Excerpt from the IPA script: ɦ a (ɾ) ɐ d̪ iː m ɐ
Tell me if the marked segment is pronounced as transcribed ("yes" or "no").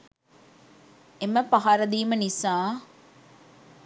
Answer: yes